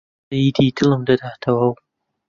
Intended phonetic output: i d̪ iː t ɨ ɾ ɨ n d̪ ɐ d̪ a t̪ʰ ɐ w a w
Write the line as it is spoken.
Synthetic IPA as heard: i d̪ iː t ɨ l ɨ m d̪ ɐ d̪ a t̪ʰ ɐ w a w